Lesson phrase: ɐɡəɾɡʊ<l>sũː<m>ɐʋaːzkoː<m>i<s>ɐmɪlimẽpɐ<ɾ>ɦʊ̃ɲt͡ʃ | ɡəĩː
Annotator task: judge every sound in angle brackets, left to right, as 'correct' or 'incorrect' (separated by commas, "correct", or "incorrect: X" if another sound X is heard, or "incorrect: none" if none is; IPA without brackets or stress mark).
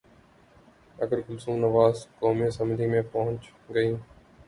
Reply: correct, incorrect: n, correct, correct, incorrect: none